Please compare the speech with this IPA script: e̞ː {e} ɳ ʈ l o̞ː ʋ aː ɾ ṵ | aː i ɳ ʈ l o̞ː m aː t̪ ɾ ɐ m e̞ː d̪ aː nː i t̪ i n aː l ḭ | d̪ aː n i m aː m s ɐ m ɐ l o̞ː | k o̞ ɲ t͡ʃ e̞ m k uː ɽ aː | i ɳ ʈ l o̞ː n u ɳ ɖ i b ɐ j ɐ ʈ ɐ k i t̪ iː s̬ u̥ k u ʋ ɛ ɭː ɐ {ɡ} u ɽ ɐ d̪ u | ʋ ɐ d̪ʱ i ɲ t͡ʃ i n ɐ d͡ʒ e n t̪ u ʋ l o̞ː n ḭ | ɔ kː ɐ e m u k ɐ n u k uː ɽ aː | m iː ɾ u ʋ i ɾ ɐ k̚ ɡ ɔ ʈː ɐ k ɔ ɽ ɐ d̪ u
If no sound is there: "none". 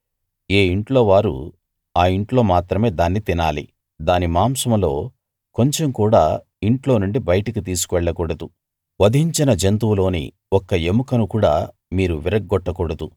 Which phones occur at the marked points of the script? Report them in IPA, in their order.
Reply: i, k

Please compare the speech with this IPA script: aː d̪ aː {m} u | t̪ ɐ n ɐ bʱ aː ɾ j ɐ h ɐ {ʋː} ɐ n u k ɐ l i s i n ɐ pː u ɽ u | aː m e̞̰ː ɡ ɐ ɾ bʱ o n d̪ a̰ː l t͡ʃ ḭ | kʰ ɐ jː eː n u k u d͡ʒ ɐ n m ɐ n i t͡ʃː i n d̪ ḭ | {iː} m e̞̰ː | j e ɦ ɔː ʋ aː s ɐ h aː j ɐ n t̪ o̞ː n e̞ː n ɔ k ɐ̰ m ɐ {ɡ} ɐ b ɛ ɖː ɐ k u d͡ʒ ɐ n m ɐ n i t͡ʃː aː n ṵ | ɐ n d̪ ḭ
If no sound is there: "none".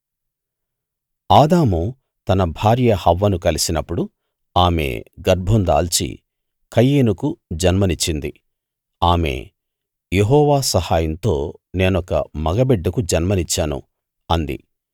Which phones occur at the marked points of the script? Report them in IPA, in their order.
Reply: m, ʋː, aː, ɡ

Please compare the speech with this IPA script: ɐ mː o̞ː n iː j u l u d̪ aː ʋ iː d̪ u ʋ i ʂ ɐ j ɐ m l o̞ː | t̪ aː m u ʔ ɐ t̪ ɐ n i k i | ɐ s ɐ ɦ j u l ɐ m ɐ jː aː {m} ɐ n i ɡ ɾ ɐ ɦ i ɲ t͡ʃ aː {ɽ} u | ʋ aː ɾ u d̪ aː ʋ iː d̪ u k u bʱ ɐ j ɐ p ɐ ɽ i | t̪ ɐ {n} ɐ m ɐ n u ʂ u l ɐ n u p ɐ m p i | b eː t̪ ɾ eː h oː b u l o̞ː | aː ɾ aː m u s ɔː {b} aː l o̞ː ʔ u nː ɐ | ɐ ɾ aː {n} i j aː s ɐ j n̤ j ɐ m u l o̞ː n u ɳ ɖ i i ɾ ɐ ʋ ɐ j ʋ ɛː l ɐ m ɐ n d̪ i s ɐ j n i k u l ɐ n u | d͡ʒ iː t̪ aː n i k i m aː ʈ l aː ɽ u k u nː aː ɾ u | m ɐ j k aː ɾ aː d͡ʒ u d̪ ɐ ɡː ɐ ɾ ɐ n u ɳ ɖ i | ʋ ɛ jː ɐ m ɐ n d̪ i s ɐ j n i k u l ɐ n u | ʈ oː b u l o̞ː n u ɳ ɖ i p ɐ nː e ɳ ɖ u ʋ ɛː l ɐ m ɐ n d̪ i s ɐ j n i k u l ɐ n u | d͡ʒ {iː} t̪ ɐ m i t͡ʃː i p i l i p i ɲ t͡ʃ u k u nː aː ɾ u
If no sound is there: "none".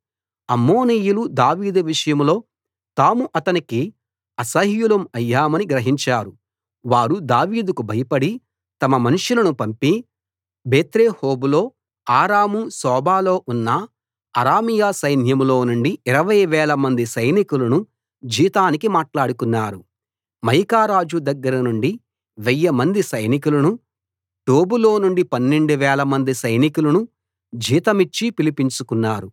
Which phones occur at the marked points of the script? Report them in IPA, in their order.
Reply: m, ɾ, m, b, m, iː

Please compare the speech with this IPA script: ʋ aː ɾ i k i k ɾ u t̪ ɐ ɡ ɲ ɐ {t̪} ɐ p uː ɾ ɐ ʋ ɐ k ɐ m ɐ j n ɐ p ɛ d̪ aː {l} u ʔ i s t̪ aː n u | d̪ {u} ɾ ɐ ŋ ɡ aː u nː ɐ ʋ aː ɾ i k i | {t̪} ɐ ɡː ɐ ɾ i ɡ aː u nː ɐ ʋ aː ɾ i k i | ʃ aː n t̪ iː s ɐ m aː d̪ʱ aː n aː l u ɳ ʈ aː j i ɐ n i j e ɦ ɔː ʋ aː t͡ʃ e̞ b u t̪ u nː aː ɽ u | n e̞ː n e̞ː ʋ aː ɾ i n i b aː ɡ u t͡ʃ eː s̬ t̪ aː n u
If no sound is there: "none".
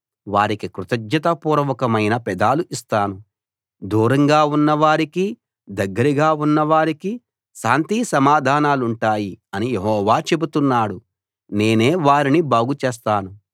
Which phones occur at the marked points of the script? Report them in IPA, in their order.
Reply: t̪, l, uː, d̪

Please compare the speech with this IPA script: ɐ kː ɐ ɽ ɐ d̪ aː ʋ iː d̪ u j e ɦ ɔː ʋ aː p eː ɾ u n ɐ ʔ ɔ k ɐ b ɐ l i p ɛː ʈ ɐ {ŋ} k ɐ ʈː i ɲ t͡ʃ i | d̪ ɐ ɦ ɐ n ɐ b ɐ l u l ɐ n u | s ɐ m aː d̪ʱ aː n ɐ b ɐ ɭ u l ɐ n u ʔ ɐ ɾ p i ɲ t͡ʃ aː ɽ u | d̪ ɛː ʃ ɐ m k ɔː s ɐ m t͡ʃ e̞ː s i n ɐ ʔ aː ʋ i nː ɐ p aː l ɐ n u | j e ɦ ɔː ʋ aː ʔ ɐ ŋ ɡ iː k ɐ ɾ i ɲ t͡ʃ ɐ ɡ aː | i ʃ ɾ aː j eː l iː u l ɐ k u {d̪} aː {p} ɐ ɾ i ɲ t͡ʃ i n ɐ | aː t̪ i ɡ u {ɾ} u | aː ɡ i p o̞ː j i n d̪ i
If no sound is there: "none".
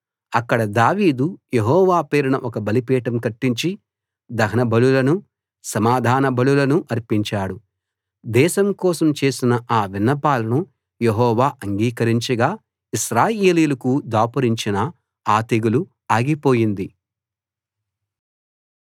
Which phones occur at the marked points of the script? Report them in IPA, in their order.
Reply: m, d̪, p, l

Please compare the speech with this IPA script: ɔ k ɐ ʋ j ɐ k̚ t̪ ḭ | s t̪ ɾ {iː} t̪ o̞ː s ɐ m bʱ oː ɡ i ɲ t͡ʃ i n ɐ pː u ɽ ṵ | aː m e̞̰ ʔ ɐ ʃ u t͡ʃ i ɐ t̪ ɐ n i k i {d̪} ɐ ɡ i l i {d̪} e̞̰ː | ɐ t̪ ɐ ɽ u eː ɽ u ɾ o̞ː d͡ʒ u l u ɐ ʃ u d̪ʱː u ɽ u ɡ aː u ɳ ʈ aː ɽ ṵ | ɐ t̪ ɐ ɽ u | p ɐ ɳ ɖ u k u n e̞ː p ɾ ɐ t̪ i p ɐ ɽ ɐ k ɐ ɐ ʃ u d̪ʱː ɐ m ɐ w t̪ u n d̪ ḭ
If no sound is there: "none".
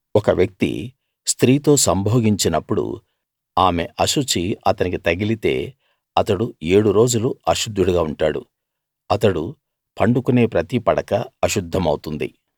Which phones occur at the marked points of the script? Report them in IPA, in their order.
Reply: iː, t̪, t̪

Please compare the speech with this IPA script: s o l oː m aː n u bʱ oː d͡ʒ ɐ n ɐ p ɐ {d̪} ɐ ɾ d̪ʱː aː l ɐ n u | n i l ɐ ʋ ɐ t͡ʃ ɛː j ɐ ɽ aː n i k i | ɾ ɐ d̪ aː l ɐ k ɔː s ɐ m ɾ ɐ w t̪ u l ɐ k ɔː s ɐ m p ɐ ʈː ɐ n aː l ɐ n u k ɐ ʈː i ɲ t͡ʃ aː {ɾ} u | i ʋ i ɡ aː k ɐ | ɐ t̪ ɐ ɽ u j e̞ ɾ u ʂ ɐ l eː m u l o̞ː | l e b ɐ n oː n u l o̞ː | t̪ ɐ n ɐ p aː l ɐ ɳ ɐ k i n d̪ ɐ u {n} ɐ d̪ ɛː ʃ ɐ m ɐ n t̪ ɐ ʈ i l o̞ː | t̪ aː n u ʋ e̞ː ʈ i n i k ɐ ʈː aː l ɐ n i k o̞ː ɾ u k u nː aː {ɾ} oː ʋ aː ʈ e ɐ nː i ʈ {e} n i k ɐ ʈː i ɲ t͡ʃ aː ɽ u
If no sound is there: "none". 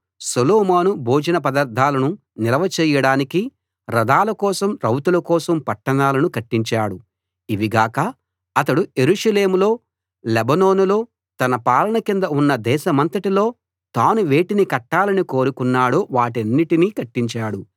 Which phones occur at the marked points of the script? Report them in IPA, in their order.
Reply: d̪, ɽ, nː, ɽ, i

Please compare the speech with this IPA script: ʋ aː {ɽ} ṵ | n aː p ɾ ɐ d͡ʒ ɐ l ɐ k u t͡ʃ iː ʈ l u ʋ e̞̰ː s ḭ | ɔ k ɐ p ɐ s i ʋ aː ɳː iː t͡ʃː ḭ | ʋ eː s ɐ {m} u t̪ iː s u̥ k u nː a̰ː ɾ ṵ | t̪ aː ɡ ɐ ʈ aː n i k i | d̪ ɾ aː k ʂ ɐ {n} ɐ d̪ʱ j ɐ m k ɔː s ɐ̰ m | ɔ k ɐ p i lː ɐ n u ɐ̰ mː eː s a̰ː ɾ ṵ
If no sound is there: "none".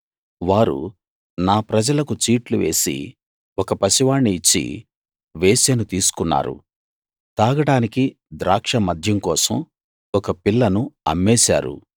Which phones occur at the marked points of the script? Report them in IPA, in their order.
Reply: ɾ, n, m

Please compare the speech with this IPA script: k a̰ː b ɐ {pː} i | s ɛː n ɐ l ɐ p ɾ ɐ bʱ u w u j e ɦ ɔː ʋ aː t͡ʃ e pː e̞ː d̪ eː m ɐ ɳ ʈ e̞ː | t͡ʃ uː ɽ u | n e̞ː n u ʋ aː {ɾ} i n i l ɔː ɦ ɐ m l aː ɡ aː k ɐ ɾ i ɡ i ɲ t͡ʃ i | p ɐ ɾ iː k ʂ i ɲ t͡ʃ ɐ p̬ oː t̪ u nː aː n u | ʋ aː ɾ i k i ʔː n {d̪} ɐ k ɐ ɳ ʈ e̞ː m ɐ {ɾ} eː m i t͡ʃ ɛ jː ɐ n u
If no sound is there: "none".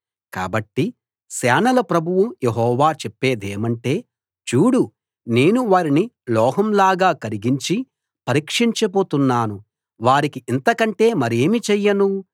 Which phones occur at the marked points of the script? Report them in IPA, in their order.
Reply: ʈː, ɾ, t̪, ɾ

